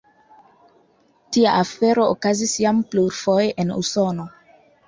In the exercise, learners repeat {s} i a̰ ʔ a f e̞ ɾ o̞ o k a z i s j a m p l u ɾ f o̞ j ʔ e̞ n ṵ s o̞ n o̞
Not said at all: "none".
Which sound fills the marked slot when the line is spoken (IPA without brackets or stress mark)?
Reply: t